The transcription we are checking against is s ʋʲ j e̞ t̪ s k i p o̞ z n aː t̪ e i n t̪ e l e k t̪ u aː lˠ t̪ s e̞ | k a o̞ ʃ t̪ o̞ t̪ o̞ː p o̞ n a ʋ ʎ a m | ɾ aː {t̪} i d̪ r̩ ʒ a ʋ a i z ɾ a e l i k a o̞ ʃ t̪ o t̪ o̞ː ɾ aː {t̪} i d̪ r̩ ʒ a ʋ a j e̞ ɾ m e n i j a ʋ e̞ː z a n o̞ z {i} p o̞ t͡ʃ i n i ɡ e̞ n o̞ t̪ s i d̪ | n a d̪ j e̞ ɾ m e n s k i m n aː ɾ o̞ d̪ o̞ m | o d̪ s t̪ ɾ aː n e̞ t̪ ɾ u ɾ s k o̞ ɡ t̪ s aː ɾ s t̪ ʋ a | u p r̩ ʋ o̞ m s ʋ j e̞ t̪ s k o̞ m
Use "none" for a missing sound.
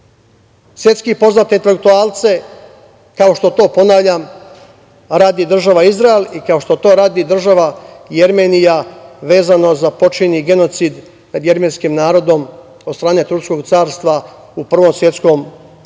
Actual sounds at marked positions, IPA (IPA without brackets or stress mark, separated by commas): d̪, d̪, a